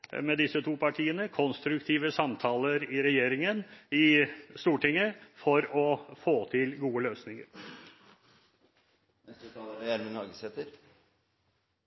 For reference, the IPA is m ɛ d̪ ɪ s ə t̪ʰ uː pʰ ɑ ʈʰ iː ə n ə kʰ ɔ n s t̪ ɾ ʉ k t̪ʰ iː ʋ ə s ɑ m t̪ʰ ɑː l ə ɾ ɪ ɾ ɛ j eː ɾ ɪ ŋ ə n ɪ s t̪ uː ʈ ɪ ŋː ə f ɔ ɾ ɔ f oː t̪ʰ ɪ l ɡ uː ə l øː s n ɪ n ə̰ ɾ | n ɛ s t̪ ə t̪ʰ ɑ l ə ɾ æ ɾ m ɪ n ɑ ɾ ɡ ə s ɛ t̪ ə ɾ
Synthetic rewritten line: m ɛ d̪ ɪ s ə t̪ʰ uː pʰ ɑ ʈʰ iː ə n ə kʰ ɔ n s t̪ ɾ ʉ k t̪ʰ iː ʋ ə s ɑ m t̪ʰ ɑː l ə ɾ ɪ ɾ ɛ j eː ɾ ɪ ŋ ə n ɪ s t̪ uː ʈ ɪ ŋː ə f ɔ ɾ ɔ f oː t̪ʰ ɪ l ɡ uː ə l øː s n ɪ ŋ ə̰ ɾ | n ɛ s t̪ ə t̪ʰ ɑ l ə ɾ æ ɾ m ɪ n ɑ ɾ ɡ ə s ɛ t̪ ə ɾ